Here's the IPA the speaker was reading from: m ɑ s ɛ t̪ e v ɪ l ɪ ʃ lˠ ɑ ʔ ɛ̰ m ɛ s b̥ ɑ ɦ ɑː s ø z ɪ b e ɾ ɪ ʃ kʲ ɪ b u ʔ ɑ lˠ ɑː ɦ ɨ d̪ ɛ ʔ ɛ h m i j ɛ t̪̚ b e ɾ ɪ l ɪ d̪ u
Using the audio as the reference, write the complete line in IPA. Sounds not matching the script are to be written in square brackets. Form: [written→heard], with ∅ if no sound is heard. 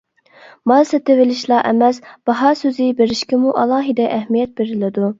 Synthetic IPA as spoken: m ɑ s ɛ t̪ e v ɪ l ɪ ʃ lˠ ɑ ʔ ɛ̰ m ɛ s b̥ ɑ ɦ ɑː s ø z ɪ b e ɾ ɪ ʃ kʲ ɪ [b→m] u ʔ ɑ lˠ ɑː ɦ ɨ d̪ ɛ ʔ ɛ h m i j ɛ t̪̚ b e ɾ ɪ l ɪ d̪ u